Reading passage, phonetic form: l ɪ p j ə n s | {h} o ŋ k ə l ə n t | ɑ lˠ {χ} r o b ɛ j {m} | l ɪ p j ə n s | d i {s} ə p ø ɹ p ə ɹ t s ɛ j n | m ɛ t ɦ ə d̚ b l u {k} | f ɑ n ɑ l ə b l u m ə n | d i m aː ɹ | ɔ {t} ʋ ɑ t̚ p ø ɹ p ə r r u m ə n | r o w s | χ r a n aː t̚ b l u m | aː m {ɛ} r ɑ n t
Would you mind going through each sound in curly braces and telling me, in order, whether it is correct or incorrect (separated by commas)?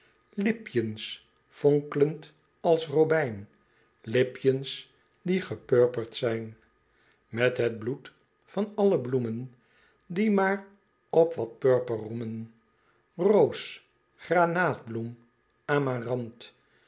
incorrect, incorrect, incorrect, incorrect, incorrect, incorrect, incorrect